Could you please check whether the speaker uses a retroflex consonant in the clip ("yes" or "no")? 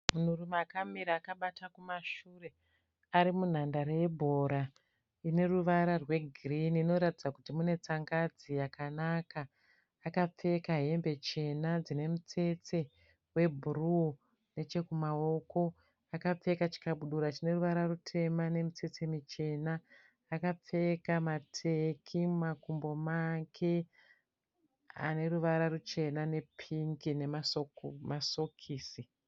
no